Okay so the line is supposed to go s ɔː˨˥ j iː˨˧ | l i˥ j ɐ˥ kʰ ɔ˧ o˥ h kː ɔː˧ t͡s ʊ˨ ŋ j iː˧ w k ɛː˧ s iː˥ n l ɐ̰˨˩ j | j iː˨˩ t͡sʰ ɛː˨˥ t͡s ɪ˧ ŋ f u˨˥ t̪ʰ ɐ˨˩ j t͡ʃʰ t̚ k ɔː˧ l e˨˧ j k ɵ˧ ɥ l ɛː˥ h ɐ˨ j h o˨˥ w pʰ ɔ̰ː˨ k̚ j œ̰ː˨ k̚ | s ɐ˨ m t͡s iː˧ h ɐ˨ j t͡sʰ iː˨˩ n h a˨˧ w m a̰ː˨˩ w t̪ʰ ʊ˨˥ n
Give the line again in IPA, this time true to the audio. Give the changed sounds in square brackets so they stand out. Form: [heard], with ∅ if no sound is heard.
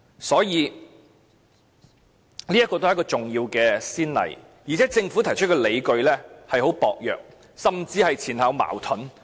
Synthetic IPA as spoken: s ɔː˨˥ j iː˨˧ | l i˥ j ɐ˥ [k] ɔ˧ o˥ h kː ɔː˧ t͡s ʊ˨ ŋ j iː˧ w k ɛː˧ s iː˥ n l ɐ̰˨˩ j | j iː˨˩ t͡sʰ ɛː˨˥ t͡s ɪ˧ ŋ f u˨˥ t̪ʰ ɐ˨˩ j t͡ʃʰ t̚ k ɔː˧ l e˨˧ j k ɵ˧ ɥ l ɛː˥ h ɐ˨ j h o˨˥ w [p] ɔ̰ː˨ k̚ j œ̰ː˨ k̚ | s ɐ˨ m t͡s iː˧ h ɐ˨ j t͡sʰ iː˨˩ n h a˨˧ w m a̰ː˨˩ w t̪ʰ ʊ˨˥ n